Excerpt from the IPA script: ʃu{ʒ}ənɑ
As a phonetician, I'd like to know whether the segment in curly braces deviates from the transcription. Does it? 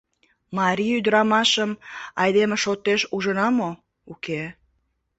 no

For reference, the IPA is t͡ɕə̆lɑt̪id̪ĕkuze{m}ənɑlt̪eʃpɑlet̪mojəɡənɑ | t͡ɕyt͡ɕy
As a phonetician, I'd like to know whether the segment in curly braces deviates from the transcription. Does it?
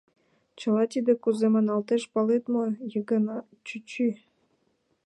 no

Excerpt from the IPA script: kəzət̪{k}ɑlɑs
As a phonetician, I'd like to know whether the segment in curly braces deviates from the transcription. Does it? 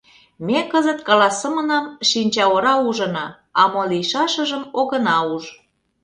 no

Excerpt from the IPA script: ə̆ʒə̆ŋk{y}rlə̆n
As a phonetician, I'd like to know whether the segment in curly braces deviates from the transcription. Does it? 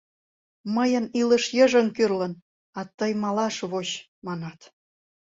no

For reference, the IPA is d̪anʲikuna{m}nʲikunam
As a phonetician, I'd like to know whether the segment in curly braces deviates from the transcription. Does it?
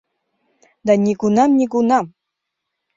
no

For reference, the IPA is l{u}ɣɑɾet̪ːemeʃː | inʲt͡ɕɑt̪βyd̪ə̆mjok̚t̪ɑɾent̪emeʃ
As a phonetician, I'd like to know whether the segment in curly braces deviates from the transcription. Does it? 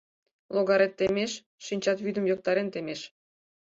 yes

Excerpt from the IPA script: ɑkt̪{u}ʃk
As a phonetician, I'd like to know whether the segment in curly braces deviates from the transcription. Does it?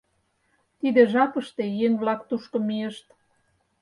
no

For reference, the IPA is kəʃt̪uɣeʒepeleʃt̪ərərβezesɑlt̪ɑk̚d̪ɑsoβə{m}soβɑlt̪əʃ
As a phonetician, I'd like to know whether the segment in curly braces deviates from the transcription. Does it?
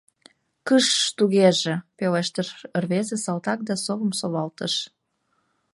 no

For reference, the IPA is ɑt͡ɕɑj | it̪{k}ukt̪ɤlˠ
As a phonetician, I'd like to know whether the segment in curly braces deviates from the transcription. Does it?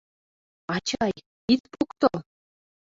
yes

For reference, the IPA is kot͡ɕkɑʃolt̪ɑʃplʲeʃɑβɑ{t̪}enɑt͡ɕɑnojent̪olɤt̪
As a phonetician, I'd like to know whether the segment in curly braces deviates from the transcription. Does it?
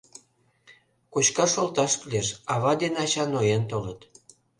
yes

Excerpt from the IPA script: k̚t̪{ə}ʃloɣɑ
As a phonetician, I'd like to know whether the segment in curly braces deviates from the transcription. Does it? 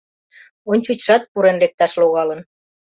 yes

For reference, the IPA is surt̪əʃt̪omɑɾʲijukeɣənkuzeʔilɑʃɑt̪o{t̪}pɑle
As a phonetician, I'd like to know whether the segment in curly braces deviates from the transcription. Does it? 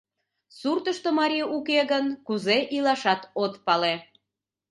no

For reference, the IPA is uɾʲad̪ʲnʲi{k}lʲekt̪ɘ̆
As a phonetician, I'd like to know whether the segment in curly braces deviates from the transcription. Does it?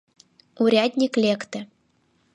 no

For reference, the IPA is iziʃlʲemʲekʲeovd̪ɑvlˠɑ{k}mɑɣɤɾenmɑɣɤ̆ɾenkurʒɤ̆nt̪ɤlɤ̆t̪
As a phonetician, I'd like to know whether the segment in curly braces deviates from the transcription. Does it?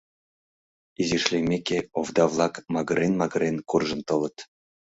no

